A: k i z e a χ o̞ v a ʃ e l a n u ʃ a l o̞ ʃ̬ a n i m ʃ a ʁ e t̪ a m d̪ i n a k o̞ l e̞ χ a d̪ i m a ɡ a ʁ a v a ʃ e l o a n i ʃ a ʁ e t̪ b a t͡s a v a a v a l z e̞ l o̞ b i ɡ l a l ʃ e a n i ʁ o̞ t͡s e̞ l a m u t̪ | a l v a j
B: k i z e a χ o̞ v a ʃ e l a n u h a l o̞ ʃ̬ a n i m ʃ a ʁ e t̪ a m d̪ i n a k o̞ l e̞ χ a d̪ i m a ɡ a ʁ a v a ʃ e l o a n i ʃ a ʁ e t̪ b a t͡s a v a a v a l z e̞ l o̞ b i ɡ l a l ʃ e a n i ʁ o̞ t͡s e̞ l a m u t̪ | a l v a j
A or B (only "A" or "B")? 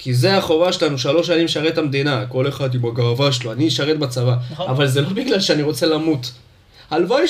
A